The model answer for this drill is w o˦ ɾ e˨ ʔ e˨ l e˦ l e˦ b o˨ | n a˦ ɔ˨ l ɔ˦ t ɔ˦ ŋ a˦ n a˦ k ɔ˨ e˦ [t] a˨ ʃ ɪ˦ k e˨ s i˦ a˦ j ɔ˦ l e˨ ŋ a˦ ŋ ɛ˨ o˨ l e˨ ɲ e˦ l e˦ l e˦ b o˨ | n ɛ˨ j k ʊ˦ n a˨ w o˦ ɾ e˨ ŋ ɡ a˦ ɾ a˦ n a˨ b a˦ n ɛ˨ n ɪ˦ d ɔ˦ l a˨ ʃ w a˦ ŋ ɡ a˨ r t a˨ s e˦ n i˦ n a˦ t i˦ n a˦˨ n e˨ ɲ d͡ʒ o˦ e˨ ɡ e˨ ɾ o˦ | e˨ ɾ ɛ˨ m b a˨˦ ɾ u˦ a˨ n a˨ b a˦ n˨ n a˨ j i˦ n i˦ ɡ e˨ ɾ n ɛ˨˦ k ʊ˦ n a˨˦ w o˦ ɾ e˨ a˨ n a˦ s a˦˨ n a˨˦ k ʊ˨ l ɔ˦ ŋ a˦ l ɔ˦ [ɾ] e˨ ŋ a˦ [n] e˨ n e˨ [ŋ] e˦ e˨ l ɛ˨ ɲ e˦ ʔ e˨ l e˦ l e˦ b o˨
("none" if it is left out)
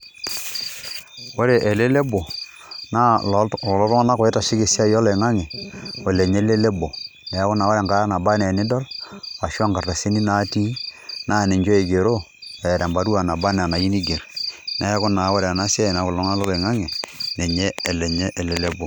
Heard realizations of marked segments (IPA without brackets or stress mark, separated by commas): t, l, ŋ, ɲ